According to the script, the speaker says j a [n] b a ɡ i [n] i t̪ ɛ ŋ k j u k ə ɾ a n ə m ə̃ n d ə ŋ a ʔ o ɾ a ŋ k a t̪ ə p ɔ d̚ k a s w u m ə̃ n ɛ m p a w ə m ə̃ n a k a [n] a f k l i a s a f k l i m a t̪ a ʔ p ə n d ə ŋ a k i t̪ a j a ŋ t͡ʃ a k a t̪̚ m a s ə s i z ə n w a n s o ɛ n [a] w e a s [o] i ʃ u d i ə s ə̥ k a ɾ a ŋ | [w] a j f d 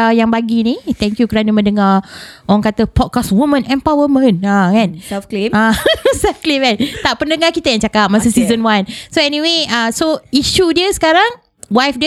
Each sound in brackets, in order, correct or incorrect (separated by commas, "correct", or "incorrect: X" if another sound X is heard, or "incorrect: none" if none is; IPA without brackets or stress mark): incorrect: ŋ, correct, correct, incorrect: i, correct, correct